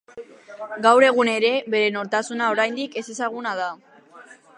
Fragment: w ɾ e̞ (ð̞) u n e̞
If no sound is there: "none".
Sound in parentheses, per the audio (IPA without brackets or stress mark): ɣ̞